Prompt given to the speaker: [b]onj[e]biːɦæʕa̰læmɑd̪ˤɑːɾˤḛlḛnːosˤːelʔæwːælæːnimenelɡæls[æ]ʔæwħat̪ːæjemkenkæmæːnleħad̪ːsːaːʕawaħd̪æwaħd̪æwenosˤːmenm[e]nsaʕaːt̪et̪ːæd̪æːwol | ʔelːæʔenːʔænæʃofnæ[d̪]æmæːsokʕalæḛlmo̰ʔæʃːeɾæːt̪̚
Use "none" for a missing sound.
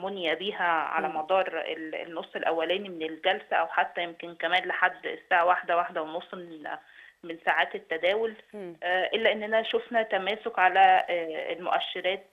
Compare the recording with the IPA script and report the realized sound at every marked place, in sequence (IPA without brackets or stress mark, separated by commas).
m, æ, æ, e, t̪